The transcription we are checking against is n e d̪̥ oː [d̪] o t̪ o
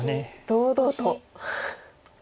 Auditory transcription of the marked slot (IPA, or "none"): d̪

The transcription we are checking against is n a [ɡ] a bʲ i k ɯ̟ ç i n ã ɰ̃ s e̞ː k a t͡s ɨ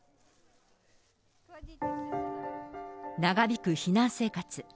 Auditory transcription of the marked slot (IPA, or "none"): ɡ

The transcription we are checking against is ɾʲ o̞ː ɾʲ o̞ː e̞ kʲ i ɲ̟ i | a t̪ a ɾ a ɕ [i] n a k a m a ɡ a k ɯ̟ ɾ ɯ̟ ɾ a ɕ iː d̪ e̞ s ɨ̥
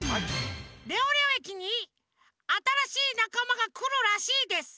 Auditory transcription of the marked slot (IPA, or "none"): iː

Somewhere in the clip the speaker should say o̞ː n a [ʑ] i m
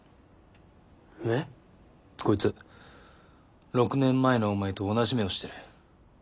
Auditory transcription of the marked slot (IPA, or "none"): ʑ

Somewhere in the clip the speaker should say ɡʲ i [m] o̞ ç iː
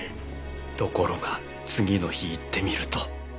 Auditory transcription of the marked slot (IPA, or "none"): n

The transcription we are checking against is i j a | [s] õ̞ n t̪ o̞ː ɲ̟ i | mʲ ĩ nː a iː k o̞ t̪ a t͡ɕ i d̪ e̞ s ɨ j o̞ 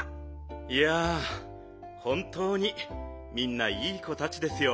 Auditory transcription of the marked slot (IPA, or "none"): h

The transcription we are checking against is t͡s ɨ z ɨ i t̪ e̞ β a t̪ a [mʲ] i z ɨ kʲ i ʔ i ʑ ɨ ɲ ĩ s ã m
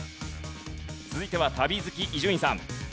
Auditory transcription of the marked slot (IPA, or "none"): bʲ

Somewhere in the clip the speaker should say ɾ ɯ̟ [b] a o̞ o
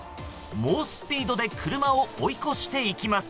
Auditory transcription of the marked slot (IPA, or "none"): m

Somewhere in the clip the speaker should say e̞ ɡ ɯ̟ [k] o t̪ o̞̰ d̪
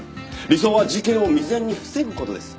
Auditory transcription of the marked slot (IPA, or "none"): k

